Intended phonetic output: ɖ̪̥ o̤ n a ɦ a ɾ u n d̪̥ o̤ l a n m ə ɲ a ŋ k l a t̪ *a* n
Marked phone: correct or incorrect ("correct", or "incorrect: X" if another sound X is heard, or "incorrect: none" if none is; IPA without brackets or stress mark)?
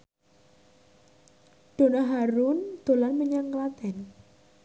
incorrect: ɛ